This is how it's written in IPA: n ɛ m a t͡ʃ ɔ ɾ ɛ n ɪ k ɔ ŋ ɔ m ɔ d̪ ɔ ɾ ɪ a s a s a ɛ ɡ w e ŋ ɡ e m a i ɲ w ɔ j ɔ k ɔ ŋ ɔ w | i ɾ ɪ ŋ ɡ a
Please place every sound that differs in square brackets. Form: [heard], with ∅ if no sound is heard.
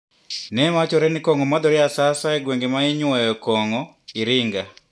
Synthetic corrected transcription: n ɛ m a t͡ʃ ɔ ɾ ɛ n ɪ k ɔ ŋ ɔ m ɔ d̪ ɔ ɾ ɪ a s a s a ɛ ɡ w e ŋ ɡ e m a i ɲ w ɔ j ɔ k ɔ ŋ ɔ [∅] | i ɾ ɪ ŋ ɡ a